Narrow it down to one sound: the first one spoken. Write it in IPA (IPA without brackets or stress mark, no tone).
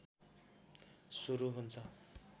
s